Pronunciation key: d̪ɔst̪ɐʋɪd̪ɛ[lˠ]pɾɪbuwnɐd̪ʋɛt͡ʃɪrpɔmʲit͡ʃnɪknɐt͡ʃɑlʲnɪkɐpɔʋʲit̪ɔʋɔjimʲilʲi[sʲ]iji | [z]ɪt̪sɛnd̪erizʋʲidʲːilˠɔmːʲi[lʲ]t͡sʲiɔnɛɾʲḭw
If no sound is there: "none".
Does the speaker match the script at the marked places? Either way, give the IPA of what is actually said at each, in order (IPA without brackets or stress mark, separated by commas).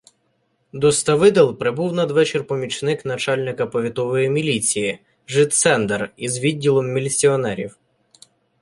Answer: lˠ, t͡sʲ, ʒ, lʲ